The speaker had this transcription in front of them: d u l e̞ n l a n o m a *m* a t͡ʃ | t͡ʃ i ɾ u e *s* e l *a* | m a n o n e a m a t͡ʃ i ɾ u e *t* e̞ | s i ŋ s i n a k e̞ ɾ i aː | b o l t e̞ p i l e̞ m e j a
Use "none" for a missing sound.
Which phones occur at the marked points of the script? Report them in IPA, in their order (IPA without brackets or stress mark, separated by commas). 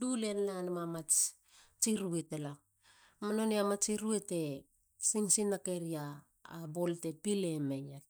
m, t, a, t